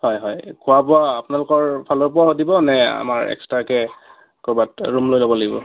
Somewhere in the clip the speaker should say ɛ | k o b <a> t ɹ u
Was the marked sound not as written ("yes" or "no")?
no